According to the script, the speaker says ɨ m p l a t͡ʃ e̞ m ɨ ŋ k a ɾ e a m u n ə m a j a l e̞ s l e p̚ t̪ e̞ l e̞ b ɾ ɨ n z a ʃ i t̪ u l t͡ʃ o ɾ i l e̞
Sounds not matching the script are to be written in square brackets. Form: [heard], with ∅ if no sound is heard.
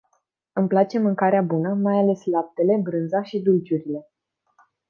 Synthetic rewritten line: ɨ m p l a t͡ʃ e̞ m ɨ ŋ k a ɾ e a [b] u n ə m a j a l e̞ s l [a] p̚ t̪ e̞ l e̞ b ɾ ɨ n z a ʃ i [d̪] u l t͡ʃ [u] ɾ i l e̞

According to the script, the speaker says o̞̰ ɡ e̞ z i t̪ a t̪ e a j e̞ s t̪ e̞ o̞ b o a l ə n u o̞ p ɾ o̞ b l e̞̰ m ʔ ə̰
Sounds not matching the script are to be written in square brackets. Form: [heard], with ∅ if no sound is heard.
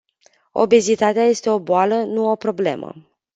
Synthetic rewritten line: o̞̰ [b] e̞ z i t̪ a t̪ e a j e̞ s t̪ e̞ o̞ b o a l ə n u o̞ p ɾ o̞ b l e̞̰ m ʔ ə̰

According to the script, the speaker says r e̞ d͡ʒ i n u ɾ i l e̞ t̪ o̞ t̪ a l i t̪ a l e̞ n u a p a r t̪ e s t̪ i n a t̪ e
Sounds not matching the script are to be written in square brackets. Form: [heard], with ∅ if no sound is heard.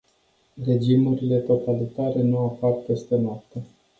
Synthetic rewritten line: r e̞ d͡ʒ i [m] u ɾ i l e̞ t̪ o̞ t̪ a l i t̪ a [ɾ] e̞ n u a p a r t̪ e s t̪ [e] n a t̪ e

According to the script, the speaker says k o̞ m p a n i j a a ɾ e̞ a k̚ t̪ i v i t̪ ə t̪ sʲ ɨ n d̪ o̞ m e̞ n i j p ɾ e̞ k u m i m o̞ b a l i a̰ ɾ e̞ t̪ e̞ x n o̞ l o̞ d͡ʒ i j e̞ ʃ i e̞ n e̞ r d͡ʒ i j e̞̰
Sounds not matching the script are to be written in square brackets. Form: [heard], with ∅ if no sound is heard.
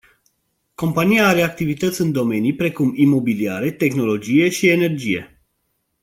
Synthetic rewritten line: k o̞ m p a n i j a a ɾ e̞ a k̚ t̪ i v i t̪ ə t̪ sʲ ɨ n d̪ o̞ m e̞ n i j p ɾ e̞ k u m i m o̞ b [i] l i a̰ ɾ e̞ t̪ e̞ x n o̞ l o̞ d͡ʒ i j e̞ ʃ i e̞ n e̞ r d͡ʒ i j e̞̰

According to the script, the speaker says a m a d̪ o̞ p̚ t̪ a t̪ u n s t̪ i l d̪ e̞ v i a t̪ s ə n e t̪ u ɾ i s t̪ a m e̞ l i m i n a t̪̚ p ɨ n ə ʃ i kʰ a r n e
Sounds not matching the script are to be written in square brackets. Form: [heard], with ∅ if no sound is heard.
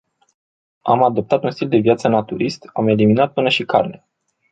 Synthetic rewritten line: a m a d̪ o̞ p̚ t̪ a t̪ u n s t̪ i l d̪ e̞ v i a t̪ s ə n [a] t̪ u ɾ i s t̪ a m e̞ l i m i n a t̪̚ p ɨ n ə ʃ i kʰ a r n e

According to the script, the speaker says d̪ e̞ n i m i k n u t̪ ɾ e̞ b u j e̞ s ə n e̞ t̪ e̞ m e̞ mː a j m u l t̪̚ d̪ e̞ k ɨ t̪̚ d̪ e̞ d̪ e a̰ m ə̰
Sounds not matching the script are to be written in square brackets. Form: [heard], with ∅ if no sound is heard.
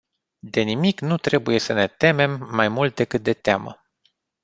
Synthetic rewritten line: d̪ e̞ n i m i k n u t̪ ɾ e̞ b u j e̞ s ə n e̞ t̪ e̞ m e̞ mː a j m u l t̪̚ d̪ e̞ k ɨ t̪̚ d̪ e̞ [t̪] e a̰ m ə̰

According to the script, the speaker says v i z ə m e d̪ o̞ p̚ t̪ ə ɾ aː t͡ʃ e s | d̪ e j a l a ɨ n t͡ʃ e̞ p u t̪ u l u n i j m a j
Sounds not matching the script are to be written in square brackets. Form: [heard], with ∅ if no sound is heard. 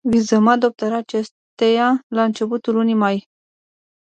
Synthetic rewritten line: v i z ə m [a] d̪ o̞ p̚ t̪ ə ɾ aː t͡ʃ e s | [t̪] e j a l a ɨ n t͡ʃ e̞ p u t̪ u l u n i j m a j

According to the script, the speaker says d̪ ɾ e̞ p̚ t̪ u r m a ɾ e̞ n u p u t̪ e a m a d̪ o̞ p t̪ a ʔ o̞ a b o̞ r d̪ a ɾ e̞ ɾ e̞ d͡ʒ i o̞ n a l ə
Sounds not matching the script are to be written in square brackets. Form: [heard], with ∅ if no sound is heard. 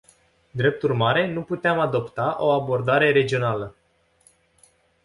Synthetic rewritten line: d̪ ɾ e̞ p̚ t̪ u r m a ɾ e̞ n u p u t̪ e a m a d̪ o̞ p t̪ a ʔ o̞ a b o̞ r d̪ a ɾ e̞ ɾ e̞ d͡ʒ i o̞ n a l ə

